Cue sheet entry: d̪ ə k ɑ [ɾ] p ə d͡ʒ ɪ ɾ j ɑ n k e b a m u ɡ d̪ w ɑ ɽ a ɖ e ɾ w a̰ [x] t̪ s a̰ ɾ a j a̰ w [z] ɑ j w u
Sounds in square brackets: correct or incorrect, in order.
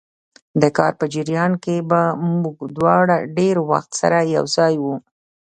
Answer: correct, correct, correct

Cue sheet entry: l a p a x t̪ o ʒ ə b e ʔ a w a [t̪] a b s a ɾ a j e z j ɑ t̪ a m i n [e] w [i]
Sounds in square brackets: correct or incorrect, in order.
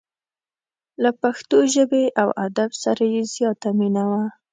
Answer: incorrect, incorrect, incorrect

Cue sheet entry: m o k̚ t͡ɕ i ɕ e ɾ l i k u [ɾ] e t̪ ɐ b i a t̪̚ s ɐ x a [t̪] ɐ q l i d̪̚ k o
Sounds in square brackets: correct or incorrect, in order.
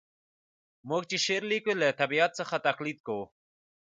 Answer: incorrect, correct

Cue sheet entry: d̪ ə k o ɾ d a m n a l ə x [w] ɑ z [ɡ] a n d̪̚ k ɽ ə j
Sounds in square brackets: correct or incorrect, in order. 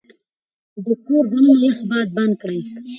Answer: incorrect, incorrect

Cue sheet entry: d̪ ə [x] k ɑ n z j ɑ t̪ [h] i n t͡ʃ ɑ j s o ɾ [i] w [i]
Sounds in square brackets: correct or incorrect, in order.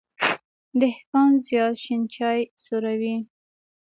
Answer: incorrect, incorrect, incorrect, correct

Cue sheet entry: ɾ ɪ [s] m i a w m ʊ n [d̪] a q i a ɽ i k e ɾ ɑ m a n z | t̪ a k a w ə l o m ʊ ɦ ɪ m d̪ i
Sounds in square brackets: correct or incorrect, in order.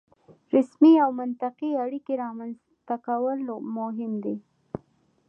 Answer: correct, incorrect

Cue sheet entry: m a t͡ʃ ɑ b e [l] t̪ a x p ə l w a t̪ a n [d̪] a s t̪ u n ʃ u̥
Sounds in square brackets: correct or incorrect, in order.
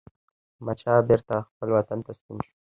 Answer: incorrect, incorrect

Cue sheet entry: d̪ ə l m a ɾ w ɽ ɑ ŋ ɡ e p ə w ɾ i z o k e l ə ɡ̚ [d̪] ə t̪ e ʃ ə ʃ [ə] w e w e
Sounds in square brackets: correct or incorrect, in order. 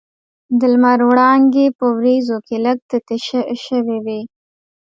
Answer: incorrect, correct

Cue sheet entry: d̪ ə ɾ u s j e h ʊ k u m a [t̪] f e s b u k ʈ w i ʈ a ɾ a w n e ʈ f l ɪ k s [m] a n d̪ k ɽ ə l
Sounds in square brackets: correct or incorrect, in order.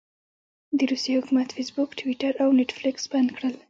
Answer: correct, incorrect

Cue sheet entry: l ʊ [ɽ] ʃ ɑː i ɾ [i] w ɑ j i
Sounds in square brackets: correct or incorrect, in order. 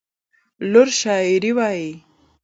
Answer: incorrect, correct

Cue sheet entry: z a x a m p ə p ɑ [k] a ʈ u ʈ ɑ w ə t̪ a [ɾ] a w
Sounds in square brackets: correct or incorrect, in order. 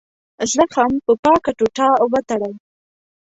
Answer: correct, incorrect

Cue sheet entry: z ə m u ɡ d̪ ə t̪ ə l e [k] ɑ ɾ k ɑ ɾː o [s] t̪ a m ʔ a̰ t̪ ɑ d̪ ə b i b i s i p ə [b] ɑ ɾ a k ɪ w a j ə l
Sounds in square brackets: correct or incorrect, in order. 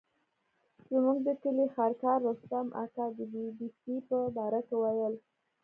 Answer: incorrect, correct, correct

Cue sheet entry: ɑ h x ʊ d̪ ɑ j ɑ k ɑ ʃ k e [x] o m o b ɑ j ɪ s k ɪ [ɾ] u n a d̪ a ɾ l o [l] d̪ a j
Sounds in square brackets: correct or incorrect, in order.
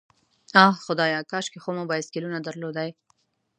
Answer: correct, incorrect, incorrect

